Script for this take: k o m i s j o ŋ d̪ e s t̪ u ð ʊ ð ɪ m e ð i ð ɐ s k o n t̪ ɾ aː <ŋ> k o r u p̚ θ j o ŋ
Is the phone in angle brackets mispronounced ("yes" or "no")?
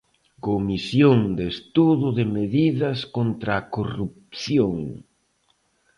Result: yes